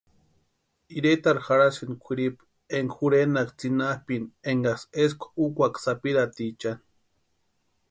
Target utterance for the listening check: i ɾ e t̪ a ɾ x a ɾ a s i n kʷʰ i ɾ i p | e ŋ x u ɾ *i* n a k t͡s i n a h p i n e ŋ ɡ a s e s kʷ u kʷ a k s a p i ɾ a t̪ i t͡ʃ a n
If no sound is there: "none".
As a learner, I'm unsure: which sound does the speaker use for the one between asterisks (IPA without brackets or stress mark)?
e